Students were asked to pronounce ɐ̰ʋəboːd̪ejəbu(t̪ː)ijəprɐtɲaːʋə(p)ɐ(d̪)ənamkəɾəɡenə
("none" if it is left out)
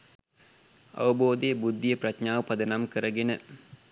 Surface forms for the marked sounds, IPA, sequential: d̪ː, p, d̪

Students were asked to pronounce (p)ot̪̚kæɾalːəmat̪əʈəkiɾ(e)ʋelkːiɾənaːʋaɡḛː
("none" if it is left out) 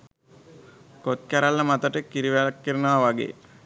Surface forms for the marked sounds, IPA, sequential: k, i

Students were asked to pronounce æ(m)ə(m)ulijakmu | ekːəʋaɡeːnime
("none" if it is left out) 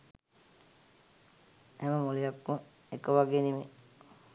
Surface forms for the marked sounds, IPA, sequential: m, m

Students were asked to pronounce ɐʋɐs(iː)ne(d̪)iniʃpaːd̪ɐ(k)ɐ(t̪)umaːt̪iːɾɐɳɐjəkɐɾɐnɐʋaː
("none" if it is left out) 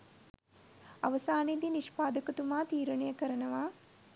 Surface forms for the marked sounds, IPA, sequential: aː, d̪, k, t̪

